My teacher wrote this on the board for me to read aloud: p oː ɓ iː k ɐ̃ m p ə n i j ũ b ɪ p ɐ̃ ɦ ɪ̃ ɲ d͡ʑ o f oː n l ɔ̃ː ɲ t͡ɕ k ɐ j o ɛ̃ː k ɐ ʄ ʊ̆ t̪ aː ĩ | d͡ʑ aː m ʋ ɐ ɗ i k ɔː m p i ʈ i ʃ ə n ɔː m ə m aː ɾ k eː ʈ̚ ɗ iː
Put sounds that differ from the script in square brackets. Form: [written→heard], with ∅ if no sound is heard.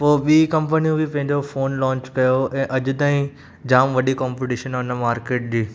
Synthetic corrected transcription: p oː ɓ iː k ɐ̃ m p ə n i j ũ b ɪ p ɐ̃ ɦ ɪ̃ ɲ d͡ʑ o f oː n l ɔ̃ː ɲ t͡ɕ k ɐ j o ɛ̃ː [k→ʔ] ɐ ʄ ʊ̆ t̪ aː ĩ | d͡ʑ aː m ʋ ɐ ɗ i k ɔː m p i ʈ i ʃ ə n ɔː [m→n] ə m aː ɾ k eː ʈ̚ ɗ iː